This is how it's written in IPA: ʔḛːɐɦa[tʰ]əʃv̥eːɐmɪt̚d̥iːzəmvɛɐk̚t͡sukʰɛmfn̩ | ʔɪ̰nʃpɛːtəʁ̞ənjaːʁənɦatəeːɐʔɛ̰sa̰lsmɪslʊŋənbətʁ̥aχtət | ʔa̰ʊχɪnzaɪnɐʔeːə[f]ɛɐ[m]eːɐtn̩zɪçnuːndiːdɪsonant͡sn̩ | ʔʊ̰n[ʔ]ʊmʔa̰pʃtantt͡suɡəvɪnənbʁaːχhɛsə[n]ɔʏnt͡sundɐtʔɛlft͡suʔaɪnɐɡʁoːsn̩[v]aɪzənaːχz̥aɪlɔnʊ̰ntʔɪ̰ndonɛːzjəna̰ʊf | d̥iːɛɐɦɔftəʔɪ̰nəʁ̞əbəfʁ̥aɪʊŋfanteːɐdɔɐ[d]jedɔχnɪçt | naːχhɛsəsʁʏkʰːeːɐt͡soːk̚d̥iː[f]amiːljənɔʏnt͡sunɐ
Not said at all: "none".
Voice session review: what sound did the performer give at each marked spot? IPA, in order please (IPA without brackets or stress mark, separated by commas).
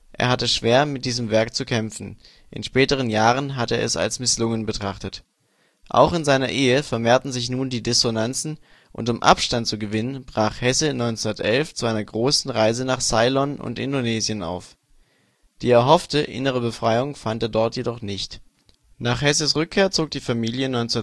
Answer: t, f, m, t, n, ʁ, t, f